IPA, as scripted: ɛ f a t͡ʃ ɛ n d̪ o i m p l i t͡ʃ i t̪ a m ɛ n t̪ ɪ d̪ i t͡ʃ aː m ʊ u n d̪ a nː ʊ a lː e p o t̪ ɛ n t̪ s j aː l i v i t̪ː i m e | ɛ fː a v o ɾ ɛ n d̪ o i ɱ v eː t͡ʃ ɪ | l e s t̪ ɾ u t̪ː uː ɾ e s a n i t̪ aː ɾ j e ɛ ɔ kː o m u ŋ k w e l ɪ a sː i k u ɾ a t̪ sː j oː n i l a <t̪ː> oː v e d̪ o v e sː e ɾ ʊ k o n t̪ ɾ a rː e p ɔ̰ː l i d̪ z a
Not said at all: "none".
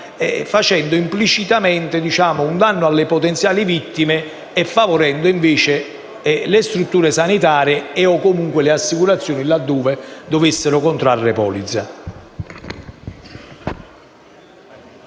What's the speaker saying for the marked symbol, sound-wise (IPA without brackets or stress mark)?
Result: d̪ː